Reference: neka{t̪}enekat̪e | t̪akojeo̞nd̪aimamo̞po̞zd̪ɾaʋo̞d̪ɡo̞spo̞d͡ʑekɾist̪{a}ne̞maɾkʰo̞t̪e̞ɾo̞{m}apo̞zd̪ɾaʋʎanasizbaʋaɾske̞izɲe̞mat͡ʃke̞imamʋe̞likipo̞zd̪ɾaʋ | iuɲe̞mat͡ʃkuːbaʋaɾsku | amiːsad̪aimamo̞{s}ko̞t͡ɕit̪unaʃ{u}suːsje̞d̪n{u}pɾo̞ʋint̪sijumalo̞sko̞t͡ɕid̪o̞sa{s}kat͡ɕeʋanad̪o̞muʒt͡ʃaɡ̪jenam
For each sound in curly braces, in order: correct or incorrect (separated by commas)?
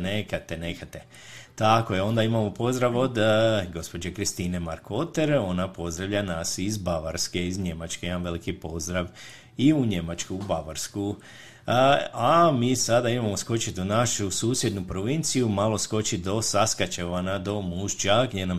correct, incorrect, incorrect, correct, correct, correct, correct